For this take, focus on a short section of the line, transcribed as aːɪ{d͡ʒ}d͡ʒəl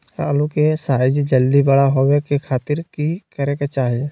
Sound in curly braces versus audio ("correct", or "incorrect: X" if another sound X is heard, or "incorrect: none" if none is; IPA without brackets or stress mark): correct